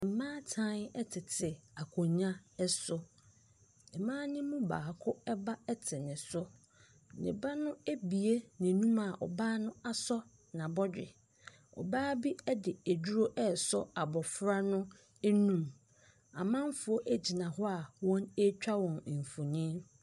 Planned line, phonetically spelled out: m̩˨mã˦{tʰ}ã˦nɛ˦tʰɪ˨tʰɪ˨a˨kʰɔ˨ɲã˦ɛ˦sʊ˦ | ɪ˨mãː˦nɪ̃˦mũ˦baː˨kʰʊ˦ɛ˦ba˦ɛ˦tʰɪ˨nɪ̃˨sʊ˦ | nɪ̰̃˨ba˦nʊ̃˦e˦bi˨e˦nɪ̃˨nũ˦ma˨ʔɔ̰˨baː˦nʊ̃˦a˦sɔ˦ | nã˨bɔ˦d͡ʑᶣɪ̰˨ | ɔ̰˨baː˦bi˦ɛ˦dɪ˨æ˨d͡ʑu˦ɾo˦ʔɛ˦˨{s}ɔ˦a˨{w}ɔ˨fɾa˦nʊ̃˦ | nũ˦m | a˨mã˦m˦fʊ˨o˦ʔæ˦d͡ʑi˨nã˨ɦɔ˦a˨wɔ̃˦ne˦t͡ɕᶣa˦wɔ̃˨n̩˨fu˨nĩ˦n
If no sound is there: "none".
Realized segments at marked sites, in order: tʰ, s, b

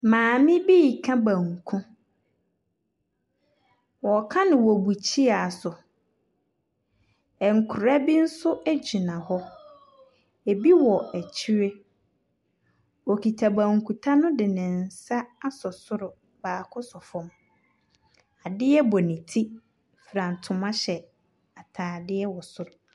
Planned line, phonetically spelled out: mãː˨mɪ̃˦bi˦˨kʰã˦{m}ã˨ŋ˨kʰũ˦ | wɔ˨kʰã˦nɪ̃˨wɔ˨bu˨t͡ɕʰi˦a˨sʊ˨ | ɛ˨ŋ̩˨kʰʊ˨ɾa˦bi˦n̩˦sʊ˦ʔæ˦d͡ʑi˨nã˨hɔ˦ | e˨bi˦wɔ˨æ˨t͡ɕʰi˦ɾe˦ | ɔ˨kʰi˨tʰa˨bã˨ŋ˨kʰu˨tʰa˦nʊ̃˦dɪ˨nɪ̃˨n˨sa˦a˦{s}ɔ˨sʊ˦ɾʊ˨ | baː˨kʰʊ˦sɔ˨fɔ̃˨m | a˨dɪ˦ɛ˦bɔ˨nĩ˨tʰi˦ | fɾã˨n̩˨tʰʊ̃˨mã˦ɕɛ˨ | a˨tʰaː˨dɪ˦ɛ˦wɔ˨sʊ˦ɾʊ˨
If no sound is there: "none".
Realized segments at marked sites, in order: b, s

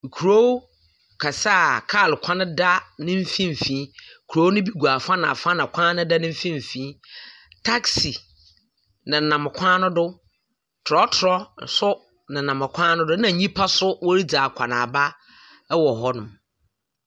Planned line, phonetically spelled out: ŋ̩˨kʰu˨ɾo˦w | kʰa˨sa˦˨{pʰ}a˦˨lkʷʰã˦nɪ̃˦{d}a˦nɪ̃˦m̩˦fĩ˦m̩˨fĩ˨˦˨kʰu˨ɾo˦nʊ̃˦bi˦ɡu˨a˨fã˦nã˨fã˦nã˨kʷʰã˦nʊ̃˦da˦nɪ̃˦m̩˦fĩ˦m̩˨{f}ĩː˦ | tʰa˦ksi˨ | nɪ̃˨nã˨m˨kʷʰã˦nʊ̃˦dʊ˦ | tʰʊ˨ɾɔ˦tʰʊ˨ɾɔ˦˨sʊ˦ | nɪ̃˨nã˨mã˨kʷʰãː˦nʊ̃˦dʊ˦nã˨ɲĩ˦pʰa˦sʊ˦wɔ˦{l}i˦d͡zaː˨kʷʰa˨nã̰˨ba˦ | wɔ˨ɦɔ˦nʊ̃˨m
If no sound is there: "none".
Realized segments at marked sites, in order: kʰ, d, f, ɾ

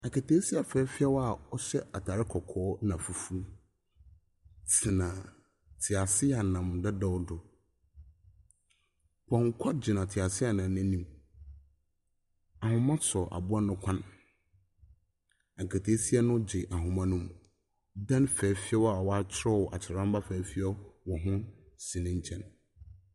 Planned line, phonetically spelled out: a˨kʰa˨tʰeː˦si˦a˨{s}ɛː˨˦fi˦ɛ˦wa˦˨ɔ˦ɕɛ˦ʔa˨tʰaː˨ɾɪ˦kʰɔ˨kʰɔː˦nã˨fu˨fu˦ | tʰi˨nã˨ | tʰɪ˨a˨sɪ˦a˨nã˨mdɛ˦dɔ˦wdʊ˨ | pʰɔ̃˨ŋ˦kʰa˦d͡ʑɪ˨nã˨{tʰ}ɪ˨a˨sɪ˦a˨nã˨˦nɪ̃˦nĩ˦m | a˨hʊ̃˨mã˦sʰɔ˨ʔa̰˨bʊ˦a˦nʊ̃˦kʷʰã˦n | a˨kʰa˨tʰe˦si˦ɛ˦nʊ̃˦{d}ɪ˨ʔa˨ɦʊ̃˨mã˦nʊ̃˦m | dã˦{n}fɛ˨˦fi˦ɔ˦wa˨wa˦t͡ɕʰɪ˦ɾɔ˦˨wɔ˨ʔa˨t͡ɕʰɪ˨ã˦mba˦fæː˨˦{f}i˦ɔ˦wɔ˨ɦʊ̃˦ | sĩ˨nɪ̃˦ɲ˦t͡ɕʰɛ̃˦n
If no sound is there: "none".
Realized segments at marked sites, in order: f, tʰ, d͡ʑ, n, f

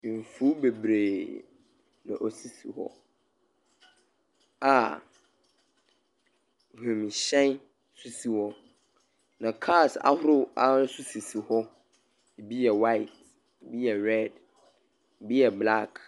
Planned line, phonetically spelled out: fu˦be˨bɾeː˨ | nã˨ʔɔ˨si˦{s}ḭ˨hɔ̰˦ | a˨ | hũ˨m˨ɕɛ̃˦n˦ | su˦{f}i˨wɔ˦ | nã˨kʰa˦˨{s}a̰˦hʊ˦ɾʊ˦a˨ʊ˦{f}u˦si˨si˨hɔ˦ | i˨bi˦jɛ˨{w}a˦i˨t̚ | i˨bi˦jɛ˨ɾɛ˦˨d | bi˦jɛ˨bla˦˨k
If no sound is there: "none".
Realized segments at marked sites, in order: s, s, s, s, w

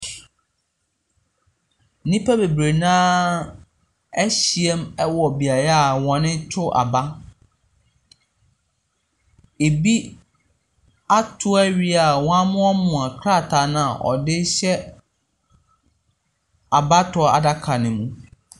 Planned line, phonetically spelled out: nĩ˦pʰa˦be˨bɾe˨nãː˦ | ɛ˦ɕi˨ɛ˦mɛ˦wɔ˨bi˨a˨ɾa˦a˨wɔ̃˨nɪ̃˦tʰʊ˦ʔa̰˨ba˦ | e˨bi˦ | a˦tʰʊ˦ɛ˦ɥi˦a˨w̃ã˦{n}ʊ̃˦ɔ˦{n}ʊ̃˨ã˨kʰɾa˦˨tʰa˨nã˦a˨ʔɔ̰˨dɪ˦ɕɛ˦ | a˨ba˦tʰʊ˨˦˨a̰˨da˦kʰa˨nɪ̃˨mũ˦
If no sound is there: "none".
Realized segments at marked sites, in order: m, m

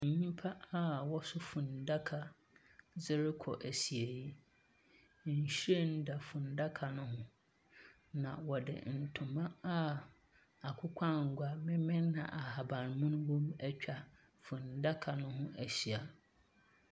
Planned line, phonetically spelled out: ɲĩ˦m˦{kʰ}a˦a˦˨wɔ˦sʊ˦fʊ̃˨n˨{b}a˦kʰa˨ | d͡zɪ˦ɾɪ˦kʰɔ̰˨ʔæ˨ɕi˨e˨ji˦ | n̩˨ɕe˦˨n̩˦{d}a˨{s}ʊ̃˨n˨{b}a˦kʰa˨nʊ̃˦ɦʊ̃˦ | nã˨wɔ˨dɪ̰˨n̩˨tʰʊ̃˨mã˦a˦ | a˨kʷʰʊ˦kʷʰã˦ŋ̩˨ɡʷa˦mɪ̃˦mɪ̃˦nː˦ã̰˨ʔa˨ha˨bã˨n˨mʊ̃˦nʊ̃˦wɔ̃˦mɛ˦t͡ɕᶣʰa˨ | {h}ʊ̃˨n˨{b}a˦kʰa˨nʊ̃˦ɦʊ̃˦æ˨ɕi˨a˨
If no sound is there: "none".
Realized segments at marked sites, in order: pʰ, d, d, f, d, f, d

